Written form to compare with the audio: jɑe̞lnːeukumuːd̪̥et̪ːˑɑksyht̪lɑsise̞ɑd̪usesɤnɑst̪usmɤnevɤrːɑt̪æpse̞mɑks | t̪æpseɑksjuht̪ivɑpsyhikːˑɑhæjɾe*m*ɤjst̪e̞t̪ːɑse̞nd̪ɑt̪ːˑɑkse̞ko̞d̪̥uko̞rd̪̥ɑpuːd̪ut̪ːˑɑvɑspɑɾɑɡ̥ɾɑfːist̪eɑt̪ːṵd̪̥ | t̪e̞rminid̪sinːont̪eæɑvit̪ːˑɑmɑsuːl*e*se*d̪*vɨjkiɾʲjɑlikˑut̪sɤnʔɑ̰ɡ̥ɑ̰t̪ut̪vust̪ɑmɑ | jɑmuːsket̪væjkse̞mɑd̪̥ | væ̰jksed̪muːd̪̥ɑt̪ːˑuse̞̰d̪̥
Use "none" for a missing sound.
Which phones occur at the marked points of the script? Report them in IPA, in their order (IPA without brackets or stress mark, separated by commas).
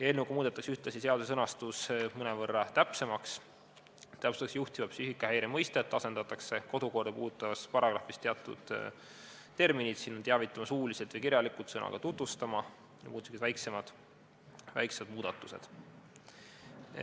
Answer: m, i, t̪